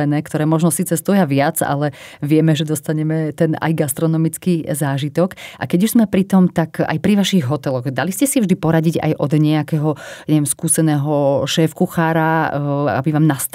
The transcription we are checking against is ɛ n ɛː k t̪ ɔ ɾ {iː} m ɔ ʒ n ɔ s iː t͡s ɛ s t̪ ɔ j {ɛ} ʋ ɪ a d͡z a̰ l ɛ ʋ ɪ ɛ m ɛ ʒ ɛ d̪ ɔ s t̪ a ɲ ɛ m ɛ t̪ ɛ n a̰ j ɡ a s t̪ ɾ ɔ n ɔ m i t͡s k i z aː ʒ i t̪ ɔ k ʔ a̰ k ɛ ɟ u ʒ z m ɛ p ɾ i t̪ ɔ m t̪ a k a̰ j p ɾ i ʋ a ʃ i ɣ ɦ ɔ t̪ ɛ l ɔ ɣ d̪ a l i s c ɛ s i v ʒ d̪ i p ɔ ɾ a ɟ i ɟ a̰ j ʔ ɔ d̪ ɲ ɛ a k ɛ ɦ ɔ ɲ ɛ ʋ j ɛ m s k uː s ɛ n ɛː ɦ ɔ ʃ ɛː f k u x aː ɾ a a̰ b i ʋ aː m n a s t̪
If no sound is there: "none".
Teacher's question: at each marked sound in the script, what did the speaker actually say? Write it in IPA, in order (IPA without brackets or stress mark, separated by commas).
ɛː, a